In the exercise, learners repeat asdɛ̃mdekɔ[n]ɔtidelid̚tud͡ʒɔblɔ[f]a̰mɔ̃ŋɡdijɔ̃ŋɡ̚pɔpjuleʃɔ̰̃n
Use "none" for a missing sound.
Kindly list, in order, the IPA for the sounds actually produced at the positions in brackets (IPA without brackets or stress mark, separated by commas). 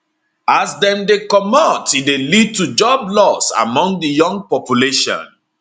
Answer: m, s